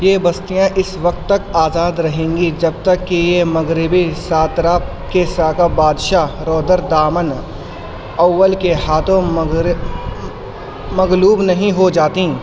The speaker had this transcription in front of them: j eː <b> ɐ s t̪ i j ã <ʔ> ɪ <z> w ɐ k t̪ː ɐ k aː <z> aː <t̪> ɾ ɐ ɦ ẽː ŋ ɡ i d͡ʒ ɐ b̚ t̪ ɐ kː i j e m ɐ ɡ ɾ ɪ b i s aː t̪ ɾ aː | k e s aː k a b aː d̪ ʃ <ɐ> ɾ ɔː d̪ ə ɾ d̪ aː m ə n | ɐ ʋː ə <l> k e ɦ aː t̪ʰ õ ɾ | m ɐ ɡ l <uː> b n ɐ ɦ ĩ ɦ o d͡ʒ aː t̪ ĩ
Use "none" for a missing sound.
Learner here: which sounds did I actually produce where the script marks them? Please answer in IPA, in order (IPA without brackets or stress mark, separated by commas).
b, ʔ, s, z, d̪, a, l, uː